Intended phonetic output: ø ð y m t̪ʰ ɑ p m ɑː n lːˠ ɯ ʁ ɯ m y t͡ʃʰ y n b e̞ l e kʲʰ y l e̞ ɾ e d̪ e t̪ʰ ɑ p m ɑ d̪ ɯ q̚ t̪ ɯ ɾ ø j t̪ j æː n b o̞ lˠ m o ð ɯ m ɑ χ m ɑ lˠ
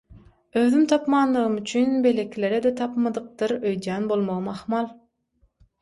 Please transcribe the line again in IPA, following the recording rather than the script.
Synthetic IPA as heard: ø ð y m t̪ʰ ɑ p m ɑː n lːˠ ɯ ʁ ɯ m y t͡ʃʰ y n b e̞ l e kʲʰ i l e̞ ɾ e d̪ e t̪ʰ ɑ p m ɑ d̪ ɯ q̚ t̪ ɯ ɾ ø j d̪ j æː n b o̞ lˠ m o ʁ ɯ m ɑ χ m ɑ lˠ